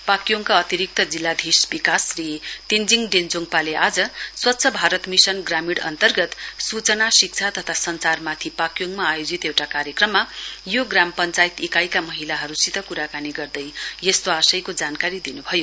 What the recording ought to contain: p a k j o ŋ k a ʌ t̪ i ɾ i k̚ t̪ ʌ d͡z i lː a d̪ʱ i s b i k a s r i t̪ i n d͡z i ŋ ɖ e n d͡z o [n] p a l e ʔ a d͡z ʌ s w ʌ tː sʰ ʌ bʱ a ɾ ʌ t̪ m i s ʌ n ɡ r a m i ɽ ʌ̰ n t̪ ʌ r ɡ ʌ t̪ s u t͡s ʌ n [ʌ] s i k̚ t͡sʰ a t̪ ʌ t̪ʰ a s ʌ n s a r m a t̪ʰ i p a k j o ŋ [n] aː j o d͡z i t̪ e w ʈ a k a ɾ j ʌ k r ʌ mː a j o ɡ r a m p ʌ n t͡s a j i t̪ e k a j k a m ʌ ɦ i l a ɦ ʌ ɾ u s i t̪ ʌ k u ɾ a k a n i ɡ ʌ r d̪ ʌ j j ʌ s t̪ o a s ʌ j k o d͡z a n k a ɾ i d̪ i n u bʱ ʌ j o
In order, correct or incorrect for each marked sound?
incorrect, incorrect, incorrect

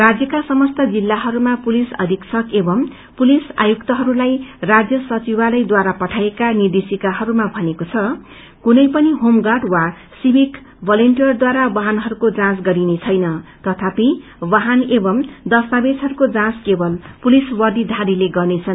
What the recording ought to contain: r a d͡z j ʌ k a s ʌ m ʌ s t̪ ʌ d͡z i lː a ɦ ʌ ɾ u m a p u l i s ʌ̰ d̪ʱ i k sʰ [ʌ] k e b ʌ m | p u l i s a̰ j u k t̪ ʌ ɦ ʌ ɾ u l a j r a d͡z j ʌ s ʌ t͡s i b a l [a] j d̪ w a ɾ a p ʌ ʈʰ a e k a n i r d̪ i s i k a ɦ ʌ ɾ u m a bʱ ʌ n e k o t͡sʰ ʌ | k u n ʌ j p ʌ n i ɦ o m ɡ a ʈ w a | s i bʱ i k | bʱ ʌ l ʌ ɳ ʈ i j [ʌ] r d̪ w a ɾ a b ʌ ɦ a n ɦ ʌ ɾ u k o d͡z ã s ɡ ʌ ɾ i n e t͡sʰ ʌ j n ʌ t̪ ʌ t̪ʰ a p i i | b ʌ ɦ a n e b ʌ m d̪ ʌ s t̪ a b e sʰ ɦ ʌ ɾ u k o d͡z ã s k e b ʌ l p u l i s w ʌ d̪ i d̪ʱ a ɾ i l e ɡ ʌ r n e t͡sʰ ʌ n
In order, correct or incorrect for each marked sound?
correct, incorrect, correct

